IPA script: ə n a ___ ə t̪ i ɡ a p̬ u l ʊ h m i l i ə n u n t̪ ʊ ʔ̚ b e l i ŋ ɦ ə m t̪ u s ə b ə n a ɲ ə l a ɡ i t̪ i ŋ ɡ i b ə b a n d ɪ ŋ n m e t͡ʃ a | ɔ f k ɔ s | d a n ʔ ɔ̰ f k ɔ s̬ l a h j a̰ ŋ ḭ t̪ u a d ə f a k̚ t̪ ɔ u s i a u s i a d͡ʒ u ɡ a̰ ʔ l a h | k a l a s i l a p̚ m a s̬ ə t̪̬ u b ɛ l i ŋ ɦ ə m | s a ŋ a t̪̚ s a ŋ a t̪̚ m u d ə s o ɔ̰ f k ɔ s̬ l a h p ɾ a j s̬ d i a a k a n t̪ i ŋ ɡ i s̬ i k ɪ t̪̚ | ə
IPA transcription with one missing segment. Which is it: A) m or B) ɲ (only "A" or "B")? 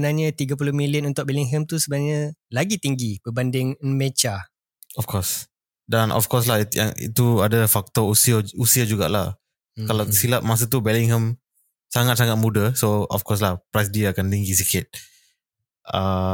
B